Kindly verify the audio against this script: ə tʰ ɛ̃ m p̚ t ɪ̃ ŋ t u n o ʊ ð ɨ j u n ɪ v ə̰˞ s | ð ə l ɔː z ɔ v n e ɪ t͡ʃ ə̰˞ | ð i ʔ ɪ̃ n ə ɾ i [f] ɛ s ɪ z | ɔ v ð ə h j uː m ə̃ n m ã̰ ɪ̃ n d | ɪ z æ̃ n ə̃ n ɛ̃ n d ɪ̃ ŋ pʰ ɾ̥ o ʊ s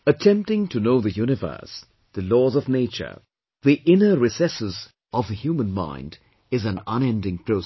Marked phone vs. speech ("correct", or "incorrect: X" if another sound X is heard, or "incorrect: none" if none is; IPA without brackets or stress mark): incorrect: s